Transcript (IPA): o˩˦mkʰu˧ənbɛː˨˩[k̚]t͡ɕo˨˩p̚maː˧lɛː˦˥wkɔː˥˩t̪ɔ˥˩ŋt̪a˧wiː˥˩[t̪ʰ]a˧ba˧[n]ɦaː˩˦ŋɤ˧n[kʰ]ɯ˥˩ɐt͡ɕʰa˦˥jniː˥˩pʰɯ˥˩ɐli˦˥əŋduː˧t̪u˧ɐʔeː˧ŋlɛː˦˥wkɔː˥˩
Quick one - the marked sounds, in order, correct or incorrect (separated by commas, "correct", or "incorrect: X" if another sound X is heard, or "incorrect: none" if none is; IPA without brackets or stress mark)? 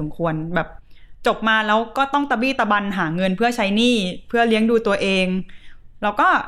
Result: incorrect: p̚, incorrect: t̪, correct, incorrect: pʰ